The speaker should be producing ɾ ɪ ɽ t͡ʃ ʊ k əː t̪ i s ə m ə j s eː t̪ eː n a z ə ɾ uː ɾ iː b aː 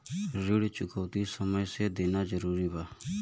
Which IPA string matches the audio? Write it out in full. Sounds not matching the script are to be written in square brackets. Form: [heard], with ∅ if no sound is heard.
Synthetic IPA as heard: ɾ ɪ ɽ t͡ʃ ʊ k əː t̪ i s ə m ə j s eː [d̪] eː n a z ə ɾ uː ɾ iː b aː

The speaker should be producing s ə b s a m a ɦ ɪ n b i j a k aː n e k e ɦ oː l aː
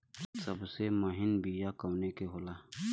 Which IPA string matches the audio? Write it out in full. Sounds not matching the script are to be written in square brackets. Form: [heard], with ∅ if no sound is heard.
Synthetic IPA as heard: s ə b s [e] m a ɦ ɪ n b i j a k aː n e k e ɦ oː l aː

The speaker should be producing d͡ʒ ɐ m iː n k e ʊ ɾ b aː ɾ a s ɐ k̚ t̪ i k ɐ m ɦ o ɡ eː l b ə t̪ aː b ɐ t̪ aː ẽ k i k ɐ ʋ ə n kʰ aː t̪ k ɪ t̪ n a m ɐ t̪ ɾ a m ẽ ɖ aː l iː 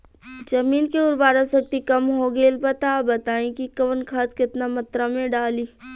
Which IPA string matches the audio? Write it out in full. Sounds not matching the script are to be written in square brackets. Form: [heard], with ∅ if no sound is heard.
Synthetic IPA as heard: d͡ʒ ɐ m iː n k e ʊ ɾ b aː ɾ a s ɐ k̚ t̪ i k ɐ m ɦ o ɡ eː l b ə t̪ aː b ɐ t̪ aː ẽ k i k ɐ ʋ ə n kʰ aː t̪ k ɪ t̪ n a m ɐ t̪ ɾ a m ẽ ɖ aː l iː

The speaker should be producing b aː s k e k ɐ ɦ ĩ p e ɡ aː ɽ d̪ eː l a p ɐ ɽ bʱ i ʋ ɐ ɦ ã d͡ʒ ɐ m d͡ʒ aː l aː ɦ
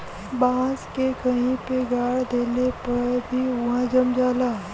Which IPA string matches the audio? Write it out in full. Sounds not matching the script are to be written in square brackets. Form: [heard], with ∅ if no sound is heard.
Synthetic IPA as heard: b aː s k e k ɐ ɦ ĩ p e ɡ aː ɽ d̪ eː l [e] p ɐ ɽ bʱ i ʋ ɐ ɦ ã d͡ʒ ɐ m d͡ʒ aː l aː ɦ

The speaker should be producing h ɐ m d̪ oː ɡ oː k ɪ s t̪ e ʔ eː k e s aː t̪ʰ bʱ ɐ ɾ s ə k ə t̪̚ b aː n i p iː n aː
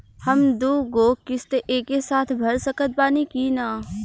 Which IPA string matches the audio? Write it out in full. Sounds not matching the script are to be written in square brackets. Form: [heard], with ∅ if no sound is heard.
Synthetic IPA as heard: h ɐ m d̪ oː ɡ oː k ɪ s t̪ e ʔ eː k e s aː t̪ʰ bʱ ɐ ɾ s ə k ə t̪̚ b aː n i [k] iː n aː

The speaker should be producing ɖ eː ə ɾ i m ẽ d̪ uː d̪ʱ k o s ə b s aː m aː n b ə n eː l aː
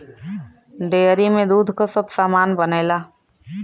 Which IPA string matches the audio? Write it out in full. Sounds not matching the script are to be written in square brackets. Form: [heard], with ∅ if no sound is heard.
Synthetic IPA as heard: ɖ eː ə ɾ i m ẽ d̪ uː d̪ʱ k o s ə b s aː m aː n b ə n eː l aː

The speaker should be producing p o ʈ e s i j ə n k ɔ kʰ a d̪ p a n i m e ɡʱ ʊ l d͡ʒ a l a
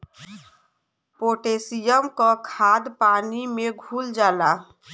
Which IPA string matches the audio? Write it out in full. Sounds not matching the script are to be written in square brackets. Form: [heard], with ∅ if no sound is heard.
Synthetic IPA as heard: p o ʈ e s i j ə [m] k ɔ kʰ a d̪ p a n i m e ɡʱ [u] l d͡ʒ a l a

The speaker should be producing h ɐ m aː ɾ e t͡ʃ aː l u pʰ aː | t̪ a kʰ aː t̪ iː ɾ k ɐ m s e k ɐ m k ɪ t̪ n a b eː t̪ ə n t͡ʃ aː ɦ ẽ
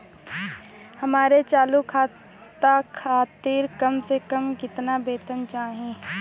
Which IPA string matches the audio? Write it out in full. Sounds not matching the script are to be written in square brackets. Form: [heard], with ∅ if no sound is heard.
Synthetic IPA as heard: h ɐ m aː ɾ e t͡ʃ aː l u [kʰ] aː | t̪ a kʰ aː t̪ iː ɾ k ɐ m s e k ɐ m k ɪ t̪ n a b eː t̪ ə n t͡ʃ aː ɦ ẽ

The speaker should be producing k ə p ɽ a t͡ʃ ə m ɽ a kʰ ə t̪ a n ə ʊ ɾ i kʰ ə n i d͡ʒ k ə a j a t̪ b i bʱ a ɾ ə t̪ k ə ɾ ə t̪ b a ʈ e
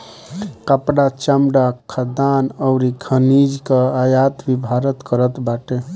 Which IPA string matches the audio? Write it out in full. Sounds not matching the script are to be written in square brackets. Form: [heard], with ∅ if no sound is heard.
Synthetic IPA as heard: k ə p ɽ a t͡ʃ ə m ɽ a kʰ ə [d̪] a n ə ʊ ɾ i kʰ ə n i d͡ʒ k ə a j a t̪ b i bʱ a ɾ ə t̪ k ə ɾ ə t̪ b a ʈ e

